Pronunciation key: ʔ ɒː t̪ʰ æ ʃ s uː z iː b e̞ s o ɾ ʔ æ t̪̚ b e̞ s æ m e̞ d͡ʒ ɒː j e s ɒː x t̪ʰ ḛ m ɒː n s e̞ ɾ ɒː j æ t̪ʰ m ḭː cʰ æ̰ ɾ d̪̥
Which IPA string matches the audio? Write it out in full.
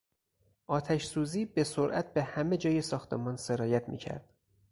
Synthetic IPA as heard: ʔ ɒː t̪ʰ æ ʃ s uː z iː b e̞ s o ɾ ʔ æ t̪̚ b e̞ h æ m e̞ d͡ʒ ɒː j e s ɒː x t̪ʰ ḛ m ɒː n s e̞ ɾ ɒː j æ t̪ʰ m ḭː cʰ æ̰ ɾ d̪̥